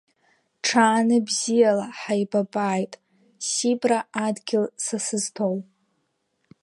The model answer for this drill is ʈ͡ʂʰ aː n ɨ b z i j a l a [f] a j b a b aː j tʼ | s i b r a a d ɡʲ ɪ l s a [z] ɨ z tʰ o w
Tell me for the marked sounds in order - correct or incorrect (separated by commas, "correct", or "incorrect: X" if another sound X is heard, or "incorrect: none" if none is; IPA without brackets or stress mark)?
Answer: incorrect: ħ, incorrect: s